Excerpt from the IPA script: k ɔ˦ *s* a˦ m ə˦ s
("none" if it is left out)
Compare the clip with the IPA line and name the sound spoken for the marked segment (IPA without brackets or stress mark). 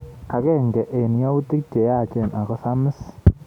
s